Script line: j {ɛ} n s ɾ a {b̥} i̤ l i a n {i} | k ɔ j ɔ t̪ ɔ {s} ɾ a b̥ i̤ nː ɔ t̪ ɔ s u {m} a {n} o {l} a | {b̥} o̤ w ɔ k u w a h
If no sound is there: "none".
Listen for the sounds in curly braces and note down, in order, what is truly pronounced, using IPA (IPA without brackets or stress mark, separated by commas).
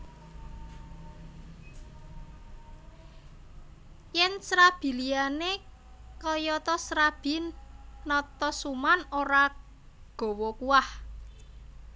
ɛ, b̥, e, s, m, n, ɾ, ɡ̥